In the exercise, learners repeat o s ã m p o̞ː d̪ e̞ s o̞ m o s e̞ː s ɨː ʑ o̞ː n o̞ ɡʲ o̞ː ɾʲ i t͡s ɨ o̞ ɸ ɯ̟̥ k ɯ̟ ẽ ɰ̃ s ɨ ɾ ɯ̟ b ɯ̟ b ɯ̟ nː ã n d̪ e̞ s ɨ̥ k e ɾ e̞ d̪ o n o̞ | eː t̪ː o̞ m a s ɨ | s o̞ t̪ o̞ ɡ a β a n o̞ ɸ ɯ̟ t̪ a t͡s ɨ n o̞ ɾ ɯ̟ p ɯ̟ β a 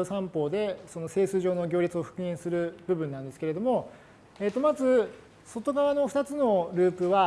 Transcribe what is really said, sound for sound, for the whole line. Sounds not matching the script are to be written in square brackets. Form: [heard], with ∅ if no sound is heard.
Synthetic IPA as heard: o s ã m p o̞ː d̪ e̞ s o̞ [n] o s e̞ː s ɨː ʑ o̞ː n o̞ ɡʲ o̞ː ɾʲ i t͡s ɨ o̞ ɸ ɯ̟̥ k ɯ̟ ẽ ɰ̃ s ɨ ɾ ɯ̟ b ɯ̟ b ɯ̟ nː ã n d̪ e̞ s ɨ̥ k e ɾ e̞ d̪ o [m] o̞ | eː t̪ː o̞ m a [z] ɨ | s o̞ t̪ o̞ ɡ a β a n o̞ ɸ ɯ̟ t̪ a t͡s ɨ n o̞ ɾ [ɯ̟ː] p ɯ̟ β a